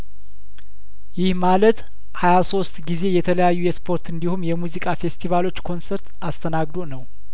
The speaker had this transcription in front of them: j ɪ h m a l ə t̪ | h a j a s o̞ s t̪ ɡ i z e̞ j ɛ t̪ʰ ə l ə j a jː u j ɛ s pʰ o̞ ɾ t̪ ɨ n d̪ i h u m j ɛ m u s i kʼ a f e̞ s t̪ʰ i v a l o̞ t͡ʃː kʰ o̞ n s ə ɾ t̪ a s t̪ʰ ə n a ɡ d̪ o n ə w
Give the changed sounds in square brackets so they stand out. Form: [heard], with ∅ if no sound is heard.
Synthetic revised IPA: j ɪ h m a l ə t̪ | h a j a s o̞ s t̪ ɡ i z e̞ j ɛ t̪ʰ ə l ə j a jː u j ɛ s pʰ o̞ ɾ t̪ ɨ n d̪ i h u m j ɛ m u [z] i kʼ a f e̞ s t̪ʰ i v a l o̞ t͡ʃː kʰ o̞ n s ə ɾ t̪ a s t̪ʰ ə n a ɡ d̪ o n ə w